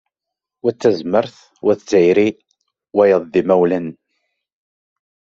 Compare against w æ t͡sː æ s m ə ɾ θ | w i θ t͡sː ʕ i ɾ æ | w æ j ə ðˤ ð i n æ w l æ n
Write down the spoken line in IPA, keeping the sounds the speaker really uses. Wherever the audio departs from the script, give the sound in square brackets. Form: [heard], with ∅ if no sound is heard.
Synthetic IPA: w æ t͡sː æ [z] m ə ɾ θ | w [æ] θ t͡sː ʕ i ɾ [i] | w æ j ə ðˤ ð i [m] æ w l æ n